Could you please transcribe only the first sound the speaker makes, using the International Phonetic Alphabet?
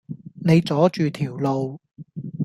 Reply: n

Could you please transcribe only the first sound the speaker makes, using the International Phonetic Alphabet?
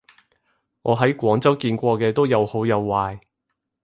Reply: ŋ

